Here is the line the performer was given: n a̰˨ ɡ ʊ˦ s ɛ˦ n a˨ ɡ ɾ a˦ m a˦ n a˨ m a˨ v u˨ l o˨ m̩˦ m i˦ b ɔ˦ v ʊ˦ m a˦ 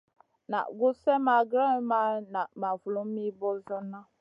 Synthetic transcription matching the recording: n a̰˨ ɡ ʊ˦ s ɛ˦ m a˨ ɡ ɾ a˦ m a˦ n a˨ m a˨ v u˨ l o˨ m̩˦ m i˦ b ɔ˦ z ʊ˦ n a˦